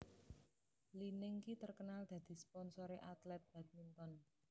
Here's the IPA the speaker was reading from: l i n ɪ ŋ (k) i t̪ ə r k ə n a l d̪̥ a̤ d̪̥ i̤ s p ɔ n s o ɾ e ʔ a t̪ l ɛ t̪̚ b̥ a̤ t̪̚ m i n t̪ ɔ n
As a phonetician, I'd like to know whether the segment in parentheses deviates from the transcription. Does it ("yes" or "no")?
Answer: no